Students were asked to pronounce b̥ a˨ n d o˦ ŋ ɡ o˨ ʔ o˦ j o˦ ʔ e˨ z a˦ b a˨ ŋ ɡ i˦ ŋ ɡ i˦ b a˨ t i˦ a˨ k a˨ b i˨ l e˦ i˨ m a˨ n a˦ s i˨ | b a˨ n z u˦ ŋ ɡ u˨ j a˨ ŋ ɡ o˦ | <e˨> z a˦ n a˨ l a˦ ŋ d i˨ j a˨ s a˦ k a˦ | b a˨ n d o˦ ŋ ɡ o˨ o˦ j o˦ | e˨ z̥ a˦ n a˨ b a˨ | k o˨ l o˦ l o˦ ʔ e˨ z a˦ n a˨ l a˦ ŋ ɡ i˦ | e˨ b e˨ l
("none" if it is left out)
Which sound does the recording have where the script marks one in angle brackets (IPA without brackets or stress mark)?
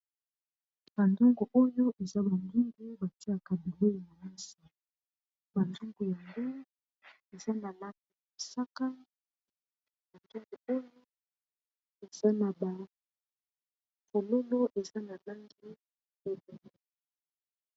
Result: e˨